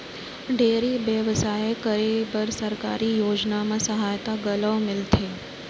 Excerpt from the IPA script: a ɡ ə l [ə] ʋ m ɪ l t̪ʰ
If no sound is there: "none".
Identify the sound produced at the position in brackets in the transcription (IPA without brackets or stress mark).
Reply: ə